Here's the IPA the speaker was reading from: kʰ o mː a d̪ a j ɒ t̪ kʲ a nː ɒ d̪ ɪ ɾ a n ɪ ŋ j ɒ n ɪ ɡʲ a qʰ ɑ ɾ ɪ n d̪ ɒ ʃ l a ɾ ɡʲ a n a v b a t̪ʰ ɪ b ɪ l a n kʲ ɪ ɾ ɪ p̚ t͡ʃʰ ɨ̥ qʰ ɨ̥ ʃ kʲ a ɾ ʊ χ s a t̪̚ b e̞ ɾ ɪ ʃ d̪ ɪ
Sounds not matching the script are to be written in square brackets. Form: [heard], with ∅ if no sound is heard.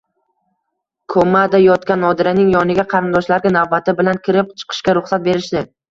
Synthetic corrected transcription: kʰ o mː a d̪ a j ɒ t̪ kʲ a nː ɒ d̪ ɪ ɾ a n ɪ ŋ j ɒ n ɪ ɡʲ a qʰ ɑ ɾ ɪ n d̪ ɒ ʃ l a ɾ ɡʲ a n a v b a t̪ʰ ɪ b ɪ l a n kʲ ɪ ɾ ɪ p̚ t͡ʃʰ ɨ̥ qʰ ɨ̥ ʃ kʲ a ɾ ʊ χ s a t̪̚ b e̞ ɾ ɪ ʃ d̪ ɪ